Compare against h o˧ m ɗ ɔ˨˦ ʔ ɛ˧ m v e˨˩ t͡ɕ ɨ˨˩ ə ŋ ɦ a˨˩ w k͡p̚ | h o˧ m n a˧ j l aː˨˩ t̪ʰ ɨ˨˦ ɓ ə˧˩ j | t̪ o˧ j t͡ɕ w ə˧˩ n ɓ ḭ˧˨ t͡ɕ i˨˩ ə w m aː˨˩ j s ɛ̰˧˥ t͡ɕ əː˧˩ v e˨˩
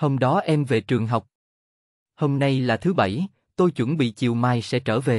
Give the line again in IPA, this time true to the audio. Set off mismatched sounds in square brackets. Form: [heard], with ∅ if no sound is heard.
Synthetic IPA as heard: h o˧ m ɗ ɔ˨˦ ʔ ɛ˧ m v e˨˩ t͡ɕ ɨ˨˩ ə ŋ ɦ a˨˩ w k͡p̚ | h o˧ m n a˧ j l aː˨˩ t̪ʰ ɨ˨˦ ɓ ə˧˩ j | t̪ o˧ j t͡ɕ w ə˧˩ n ɓ ḭ˧˨ t͡ɕ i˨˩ ə w m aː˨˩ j s ɛ̰˧˥ t͡ɕ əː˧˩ v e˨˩

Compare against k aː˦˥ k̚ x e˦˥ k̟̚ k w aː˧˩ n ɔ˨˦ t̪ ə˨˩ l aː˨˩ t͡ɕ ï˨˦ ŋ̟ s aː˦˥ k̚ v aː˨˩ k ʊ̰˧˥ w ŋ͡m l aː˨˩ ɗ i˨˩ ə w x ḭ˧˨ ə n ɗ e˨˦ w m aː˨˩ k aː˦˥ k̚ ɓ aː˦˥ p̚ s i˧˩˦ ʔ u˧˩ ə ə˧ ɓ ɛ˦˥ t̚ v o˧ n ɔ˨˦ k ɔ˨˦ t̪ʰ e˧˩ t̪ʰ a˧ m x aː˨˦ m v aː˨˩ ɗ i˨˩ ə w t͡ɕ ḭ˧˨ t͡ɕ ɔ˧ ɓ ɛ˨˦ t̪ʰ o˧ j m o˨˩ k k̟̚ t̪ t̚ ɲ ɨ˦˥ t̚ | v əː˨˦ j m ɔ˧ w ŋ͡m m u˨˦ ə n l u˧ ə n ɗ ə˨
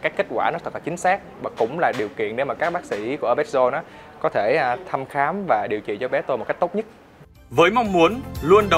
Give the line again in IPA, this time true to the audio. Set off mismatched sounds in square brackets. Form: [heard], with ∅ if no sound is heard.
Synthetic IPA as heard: k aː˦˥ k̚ [k] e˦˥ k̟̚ k w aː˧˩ n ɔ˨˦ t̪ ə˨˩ l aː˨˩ t͡ɕ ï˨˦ ŋ̟ s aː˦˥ k̚ v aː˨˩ k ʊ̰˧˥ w ŋ͡m l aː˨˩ ɗ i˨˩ ə w [k] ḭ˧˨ ə n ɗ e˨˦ w m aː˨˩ k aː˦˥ k̚ ɓ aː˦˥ [k̚] s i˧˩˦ [k] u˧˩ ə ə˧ ɓ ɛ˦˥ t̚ [z] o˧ n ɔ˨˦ k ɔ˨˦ t̪ʰ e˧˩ t̪ʰ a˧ m x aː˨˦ m v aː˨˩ ɗ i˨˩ ə w t͡ɕ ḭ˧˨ t͡ɕ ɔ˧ ɓ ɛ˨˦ [t̪] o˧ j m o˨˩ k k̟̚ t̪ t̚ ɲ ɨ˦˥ t̚ | v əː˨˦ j m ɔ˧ w ŋ͡m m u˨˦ ə n l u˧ ə n ɗ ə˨

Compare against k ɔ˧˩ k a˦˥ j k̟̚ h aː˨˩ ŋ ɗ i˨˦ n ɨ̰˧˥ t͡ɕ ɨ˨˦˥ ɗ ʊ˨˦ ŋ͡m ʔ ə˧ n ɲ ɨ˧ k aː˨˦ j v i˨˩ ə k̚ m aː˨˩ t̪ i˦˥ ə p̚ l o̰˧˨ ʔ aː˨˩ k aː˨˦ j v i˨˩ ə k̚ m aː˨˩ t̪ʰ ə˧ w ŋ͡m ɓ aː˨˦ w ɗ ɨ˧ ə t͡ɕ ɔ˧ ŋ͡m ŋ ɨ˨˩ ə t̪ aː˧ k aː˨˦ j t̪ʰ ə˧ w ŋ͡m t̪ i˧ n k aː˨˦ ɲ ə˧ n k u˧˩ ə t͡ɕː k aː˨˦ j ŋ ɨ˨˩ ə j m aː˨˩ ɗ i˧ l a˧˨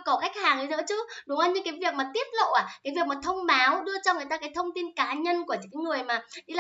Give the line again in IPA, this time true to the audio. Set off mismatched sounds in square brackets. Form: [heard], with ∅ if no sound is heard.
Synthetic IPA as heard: k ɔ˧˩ k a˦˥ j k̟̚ h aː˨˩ ŋ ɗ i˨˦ n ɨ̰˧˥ t͡ɕ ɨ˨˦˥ ɗ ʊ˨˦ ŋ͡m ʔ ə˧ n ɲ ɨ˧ k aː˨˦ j v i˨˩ ə k̚ m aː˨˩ t̪ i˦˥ ə p̚ l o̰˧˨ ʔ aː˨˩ k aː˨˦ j v i˨˩ ə k̚ m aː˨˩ t̪ʰ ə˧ w ŋ͡m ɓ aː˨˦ w ɗ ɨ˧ ə t͡ɕ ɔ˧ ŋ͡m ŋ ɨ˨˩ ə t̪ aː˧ k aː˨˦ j t̪ʰ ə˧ w ŋ͡m t̪ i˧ n k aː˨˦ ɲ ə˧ n k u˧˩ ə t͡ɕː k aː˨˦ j ŋ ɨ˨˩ ə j m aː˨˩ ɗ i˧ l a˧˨

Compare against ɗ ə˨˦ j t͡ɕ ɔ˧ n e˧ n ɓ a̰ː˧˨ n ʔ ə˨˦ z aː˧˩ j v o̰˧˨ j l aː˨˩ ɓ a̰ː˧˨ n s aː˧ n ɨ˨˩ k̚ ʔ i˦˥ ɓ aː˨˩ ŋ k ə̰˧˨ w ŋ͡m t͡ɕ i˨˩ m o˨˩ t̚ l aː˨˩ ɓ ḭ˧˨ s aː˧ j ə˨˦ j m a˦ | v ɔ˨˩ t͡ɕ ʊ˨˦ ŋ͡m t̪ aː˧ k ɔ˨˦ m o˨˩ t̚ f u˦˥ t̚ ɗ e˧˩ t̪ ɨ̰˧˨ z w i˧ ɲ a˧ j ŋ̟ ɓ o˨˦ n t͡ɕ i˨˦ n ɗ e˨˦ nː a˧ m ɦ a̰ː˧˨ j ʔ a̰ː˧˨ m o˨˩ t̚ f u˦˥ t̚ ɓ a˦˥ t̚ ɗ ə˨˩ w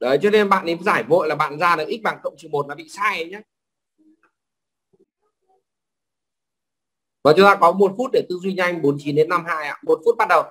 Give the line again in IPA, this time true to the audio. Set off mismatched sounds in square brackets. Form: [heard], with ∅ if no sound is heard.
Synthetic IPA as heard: ɗ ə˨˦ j t͡ɕ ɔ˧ n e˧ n ɓ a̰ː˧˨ n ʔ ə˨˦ z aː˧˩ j v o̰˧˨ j l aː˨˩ ɓ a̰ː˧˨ n [z] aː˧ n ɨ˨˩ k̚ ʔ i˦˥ ɓ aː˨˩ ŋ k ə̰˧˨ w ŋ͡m t͡ɕ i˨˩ m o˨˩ t̚ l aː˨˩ ɓ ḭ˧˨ s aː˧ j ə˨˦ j [ɲ] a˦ | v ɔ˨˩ t͡ɕ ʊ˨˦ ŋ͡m t̪ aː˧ k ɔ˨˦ m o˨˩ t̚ f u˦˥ t̚ ɗ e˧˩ t̪ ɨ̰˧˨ z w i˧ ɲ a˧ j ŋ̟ ɓ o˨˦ n t͡ɕ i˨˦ n ɗ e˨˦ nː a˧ m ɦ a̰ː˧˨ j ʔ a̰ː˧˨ m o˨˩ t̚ f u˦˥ t̚ ɓ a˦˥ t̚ ɗ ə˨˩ w

